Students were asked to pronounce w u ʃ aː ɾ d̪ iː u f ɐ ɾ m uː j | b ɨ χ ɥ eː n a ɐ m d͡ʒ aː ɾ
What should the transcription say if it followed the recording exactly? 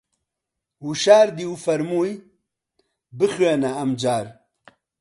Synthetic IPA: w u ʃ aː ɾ d̪ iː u f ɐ ɾ m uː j | b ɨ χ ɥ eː n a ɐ m d͡ʒ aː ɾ